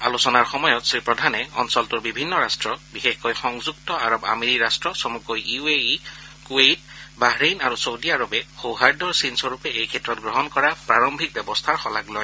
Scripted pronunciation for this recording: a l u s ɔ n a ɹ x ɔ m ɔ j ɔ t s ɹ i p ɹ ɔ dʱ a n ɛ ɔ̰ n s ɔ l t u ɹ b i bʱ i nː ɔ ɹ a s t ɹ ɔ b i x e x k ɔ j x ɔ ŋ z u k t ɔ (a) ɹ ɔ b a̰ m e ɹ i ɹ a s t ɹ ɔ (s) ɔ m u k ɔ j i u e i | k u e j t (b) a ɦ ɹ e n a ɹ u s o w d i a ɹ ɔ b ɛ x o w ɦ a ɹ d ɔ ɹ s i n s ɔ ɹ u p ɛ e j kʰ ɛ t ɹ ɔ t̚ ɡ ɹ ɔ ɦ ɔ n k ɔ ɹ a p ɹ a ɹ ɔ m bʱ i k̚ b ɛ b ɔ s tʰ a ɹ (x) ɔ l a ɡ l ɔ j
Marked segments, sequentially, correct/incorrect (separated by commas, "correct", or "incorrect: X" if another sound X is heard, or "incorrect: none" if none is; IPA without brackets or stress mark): correct, correct, correct, correct